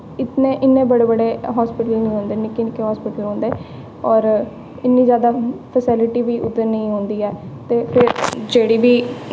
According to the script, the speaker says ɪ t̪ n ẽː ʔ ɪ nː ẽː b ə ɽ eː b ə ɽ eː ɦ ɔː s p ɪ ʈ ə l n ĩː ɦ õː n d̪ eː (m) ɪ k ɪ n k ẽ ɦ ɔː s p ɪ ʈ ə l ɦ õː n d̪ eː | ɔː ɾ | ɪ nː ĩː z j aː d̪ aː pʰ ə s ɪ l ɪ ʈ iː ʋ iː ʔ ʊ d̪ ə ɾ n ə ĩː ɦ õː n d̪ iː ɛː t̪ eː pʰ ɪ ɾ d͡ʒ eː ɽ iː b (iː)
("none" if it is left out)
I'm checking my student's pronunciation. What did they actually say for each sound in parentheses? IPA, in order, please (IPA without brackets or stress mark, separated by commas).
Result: n, iː